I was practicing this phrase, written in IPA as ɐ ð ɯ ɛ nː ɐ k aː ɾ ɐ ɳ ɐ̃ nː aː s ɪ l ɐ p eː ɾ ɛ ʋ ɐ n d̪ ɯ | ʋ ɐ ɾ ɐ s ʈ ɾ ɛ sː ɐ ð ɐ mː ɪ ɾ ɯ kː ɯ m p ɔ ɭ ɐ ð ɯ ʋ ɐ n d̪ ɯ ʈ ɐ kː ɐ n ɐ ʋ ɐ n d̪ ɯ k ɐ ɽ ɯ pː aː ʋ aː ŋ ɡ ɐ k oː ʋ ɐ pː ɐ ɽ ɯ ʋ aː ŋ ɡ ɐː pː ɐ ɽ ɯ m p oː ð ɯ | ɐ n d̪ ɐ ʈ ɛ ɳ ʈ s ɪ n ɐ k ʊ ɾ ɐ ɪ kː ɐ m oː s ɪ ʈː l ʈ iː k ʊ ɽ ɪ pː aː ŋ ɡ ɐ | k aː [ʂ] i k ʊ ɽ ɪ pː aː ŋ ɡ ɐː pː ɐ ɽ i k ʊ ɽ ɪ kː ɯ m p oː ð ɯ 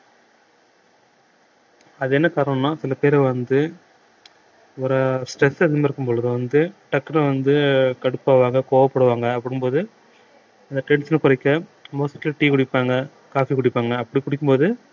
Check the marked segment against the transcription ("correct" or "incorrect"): incorrect